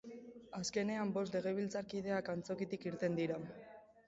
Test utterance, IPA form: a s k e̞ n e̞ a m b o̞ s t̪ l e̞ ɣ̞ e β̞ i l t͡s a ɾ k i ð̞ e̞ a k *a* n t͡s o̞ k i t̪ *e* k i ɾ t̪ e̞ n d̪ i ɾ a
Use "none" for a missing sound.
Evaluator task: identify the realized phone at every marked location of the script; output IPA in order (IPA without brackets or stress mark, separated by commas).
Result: a, i